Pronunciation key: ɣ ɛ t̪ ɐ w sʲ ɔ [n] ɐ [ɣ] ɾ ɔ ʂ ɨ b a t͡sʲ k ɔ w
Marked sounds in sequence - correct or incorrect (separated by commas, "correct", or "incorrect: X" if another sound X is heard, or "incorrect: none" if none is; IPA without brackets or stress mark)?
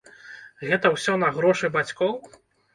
correct, correct